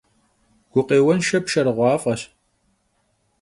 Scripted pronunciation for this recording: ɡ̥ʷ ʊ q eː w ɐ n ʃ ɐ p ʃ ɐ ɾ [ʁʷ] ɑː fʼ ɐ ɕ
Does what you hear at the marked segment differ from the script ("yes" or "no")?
no